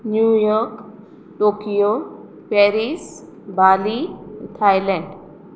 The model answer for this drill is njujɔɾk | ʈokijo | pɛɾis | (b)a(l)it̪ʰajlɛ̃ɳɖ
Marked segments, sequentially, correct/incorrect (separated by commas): correct, correct